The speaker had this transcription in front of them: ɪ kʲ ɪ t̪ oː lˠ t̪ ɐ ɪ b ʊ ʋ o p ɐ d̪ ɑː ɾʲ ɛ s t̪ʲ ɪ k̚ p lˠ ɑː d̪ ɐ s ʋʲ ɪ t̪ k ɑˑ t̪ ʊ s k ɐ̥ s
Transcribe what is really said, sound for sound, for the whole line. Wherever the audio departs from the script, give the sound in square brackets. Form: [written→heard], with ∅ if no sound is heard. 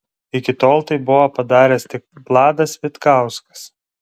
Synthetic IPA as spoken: ɪ kʲ ɪ t̪ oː lˠ t̪ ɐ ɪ b ʊ ʋ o p ɐ d̪ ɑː ɾʲ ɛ s t̪ʲ ɪ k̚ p lˠ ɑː d̪ ɐ s ʋʲ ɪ t̪ k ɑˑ [t̪→∅] ʊ s k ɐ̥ s

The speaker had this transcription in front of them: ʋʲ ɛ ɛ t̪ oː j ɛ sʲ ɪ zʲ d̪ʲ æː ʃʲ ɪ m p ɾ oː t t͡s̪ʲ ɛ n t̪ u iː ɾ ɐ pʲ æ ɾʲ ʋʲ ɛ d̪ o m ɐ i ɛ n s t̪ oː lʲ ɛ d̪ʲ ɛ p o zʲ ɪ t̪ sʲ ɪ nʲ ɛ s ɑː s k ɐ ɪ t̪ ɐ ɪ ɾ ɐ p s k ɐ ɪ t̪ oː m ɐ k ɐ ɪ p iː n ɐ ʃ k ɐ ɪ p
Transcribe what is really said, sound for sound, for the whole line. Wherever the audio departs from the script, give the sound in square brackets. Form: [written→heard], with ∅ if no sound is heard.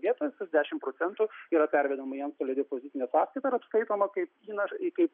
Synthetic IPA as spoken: ʋʲ [ɛ→i] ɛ t̪ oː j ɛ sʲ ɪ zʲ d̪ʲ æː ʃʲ ɪ m p ɾ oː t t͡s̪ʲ ɛ n t̪ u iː ɾ ɐ pʲ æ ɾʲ ʋʲ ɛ d̪ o m ɐ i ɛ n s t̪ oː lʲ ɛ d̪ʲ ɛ p o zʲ ɪ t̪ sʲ ɪ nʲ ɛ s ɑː s k ɐ ɪ t̪ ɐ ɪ ɾ ɐ p s k ɐ ɪ t̪ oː m ɐ k ɐ ɪ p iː n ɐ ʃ k ɐ ɪ p

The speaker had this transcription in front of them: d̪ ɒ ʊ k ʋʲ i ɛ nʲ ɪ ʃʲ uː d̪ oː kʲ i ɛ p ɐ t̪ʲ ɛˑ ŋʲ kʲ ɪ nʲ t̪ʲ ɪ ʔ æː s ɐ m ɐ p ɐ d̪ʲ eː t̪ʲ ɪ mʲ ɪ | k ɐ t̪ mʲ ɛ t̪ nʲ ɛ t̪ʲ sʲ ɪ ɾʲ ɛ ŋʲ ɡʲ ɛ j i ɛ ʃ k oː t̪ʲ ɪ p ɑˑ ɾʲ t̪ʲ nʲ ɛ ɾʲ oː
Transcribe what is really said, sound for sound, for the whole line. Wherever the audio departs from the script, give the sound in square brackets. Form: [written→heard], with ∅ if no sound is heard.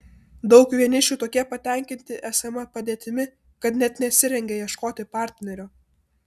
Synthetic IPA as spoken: d̪ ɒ ʊ k ʋʲ i ɛ nʲ ɪ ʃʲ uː [d̪→t̪] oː kʲ i ɛ p ɐ t̪ʲ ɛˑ ŋʲ kʲ ɪ nʲ t̪ʲ ɪ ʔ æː s ɐ m ɐ p ɐ d̪ʲ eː t̪ʲ ɪ mʲ ɪ | k ɐ t̪ [mʲ→nʲ] ɛ t̪ nʲ ɛ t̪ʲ sʲ ɪ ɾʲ ɛ ŋʲ ɡʲ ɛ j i ɛ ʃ k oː t̪ʲ ɪ p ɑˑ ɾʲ t̪ʲ nʲ ɛ ɾʲ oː

